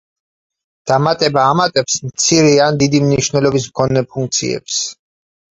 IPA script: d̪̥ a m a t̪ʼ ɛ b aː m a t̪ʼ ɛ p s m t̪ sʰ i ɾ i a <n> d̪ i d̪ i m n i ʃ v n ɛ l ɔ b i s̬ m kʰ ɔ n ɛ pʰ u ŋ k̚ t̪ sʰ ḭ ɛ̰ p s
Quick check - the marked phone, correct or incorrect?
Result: correct